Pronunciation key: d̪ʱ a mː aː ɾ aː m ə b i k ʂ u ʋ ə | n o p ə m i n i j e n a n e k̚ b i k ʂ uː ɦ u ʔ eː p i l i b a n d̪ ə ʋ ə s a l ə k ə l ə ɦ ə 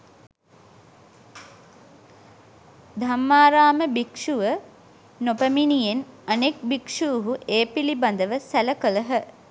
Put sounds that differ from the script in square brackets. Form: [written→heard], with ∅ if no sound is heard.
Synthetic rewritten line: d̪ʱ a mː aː ɾ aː m ə b i k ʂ u ʋ ə | n o p ə m i n i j e n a n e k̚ b i k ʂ uː ɦ u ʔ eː p i l i b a n d̪ ə ʋ ə s [a→æ] l ə k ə l ə ɦ ə

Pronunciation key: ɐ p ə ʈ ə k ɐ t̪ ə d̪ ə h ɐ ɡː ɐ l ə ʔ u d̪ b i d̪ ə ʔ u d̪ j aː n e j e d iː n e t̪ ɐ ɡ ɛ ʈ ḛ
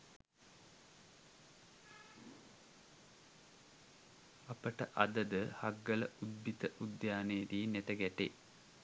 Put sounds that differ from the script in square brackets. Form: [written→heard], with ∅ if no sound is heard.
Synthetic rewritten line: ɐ p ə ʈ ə [k→ʔ] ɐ [t̪→d̪] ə d̪ ə h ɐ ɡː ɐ l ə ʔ u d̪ b i [d̪→t̪] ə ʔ u d̪ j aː n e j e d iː n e t̪ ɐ ɡ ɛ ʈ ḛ

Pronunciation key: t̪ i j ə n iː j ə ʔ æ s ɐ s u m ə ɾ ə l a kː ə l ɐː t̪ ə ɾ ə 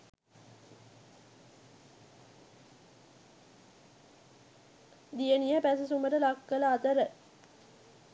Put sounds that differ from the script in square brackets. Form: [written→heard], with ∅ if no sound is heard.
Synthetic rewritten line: [t̪→d̪] i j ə n [iː→i] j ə [ʔ→p] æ s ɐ s u m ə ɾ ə l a kː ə l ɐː t̪ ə ɾ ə

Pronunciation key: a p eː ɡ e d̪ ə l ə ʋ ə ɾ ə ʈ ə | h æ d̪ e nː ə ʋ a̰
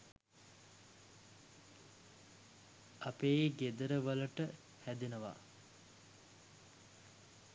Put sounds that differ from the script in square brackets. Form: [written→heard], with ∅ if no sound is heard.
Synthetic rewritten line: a p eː ɡ e d̪ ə [l→ɾ] ə ʋ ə [ɾ→l] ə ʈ ə | h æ d̪ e [nː→n] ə ʋ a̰

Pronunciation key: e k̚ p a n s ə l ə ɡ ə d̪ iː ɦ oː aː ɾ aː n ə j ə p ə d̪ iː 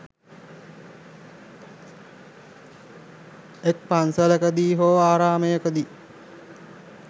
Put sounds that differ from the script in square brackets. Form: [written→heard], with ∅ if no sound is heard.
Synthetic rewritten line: e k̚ p a n s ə l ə [ɡ→k] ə d̪ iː ɦ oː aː ɾ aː [n→m] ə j ə [p→k] ə d̪ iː

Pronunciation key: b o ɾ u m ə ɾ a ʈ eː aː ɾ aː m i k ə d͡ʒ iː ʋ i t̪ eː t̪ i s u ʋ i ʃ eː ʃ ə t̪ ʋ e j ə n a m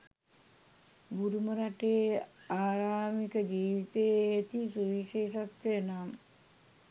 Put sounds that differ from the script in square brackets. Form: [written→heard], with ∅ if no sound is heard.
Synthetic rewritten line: b [o→u] ɾ u m ə ɾ a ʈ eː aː ɾ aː m i k ə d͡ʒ iː ʋ i t̪ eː t̪ i s u ʋ i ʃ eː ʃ [ə→a] t̪ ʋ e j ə n a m

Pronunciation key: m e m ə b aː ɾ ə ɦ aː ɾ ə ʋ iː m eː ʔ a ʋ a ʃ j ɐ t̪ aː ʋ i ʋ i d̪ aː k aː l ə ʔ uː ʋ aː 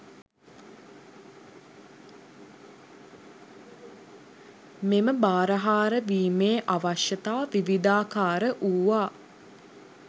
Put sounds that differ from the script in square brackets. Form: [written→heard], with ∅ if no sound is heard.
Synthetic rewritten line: m e m ə b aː ɾ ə ɦ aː ɾ ə ʋ iː m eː ʔ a ʋ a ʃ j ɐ t̪ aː ʋ i ʋ i d̪ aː k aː [l→ɾ] ə ʔ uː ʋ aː

